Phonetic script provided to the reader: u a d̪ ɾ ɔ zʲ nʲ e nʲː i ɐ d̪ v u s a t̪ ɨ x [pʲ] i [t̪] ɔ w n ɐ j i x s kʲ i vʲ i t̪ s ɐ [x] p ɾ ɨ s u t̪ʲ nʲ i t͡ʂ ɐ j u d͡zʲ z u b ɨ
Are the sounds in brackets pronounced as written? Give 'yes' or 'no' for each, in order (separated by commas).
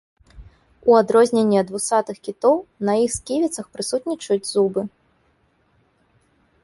no, yes, yes